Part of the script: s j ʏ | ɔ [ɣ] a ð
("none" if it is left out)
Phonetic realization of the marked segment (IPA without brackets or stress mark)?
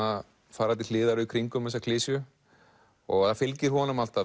ɣ